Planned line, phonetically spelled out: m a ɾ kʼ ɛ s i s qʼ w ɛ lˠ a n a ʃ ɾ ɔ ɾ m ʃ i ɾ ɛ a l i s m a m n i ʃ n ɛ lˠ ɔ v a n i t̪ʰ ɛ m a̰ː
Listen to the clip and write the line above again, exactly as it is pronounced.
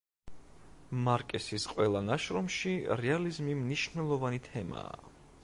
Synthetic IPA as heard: m a ɾ kʼ ɛ s i s qʼ w ɛ lˠ a n a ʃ ɾ ɔ m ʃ i ɾ ɛ a l i z m i m n i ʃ n ɛ lˠ ɔ v a n i t̪ʰ ɛ m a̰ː